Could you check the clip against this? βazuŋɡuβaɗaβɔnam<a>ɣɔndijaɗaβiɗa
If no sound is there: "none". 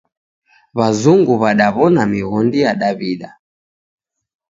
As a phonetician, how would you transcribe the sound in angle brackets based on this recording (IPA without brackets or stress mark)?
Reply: i